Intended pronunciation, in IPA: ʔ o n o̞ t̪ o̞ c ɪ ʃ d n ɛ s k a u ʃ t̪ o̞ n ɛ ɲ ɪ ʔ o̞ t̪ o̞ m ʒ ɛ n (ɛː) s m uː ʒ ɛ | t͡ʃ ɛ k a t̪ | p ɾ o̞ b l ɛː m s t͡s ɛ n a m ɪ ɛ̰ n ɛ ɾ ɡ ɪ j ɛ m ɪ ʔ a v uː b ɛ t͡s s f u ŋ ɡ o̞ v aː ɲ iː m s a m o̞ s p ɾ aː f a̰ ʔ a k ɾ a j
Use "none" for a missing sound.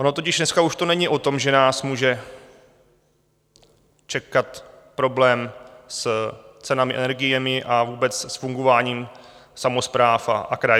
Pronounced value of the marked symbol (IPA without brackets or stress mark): aː